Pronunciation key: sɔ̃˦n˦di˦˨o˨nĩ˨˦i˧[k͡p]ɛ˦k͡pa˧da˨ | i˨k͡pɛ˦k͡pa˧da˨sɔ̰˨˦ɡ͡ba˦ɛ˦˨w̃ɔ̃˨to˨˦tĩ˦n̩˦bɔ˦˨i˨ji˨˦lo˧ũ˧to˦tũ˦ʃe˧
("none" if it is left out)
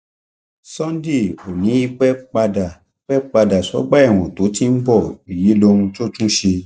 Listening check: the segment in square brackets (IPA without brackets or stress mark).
k͡p